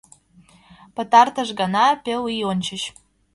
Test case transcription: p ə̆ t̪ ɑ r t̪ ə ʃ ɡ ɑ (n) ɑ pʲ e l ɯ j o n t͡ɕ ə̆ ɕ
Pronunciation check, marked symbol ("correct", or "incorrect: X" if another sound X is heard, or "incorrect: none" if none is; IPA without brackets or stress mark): correct